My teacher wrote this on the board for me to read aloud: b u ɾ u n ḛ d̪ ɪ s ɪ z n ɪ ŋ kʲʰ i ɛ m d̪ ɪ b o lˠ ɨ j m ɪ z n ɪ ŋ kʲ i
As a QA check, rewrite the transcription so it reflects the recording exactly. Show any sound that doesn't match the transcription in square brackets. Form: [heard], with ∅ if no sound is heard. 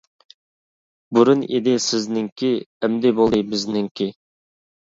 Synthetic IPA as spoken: b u ɾ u n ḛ d̪ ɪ s ɪ z n ɪ ŋ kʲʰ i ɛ m d̪ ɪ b o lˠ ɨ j [b] ɪ z n ɪ ŋ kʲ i